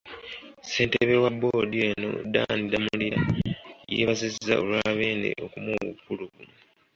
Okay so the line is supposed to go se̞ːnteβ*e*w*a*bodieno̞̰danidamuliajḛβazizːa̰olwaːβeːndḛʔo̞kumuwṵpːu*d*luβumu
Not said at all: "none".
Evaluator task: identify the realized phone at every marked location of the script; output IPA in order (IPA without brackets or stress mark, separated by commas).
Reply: e, a, none